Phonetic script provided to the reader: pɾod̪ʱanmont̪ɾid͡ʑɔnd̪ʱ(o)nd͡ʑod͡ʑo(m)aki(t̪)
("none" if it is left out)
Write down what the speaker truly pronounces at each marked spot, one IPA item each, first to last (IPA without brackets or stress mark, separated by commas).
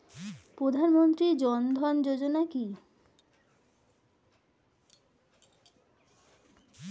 ɔ, n, none